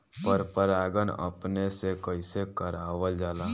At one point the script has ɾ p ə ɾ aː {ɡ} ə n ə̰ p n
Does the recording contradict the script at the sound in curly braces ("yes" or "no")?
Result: no